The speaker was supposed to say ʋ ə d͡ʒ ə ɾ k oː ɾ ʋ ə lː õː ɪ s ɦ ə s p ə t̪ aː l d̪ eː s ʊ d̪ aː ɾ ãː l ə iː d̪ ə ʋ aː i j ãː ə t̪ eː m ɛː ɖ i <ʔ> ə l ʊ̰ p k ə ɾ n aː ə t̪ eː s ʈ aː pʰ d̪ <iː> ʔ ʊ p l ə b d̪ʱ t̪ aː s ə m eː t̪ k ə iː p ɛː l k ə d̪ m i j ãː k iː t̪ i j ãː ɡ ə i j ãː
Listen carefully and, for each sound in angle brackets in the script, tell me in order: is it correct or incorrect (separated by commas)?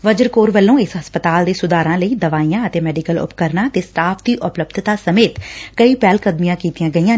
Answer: incorrect, correct